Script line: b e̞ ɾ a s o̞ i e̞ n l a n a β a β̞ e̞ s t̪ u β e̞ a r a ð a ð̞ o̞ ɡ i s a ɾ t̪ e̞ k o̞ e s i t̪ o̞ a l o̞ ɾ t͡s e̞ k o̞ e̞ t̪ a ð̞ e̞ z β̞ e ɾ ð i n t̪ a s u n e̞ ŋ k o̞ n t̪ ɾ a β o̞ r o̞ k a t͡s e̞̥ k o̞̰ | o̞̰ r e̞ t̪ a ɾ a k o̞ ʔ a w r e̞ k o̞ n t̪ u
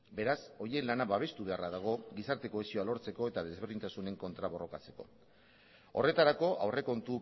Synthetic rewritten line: b e̞ ɾ a s o̞ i e̞ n l a n a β a β̞ e̞ s t̪ u β e̞ a r a ð a ɣ̞ o̞ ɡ i s a ɾ t̪ e̞ k o̞ e s i o̞ a l o̞ ɾ t͡s e̞ k o̞ e̞ t̪ a ð̞ e̞ z β̞ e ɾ ð i n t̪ a s u n e̞ ŋ k o̞ n t̪ ɾ a β o̞ r o̞ k a t͡s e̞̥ k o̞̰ | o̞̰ r e̞ t̪ a ɾ a k o̞ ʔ a w r e̞ k o̞ n t̪ u